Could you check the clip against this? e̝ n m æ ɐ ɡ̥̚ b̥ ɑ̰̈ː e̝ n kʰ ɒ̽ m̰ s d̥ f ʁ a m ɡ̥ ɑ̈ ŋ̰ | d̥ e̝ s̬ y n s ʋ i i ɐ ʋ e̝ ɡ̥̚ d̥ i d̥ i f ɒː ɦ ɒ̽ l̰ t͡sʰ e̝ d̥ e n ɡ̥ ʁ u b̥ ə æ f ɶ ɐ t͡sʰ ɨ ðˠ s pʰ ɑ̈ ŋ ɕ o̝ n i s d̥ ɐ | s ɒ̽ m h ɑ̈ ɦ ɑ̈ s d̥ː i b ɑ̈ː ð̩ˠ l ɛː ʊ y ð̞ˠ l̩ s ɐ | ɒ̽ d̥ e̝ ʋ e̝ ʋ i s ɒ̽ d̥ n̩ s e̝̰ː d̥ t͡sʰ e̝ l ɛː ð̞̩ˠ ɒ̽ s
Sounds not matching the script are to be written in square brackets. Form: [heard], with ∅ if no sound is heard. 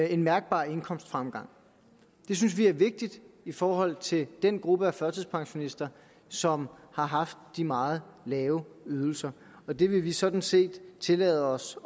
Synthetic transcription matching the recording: e̝ n m æ ɐ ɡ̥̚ b̥ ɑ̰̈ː e̝ n kʰ ɒ̽ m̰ s d̥ f ʁ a m ɡ̥ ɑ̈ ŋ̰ | d̥ e̝ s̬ y n s ʋ i [æ] ɐ ʋ e̝ ɡ̥̚ d̥ i d̥ i f ɒː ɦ ɒ̽ l̰ t͡sʰ e̝ d̥ e n ɡ̥ ʁ u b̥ ə æ f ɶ ɐ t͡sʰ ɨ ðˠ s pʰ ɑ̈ ŋ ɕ o̝ n i s d̥ ɐ | s ɒ̽ m h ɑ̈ ɦ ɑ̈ [f] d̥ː i [m] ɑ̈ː ð̩ˠ l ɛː ʊ y ð̞ˠ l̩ s ɐ | ɒ̽ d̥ e̝ ʋ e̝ ʋ i s ɒ̽ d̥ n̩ s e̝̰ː d̥ t͡sʰ e̝ l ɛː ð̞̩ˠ ɒ̽ s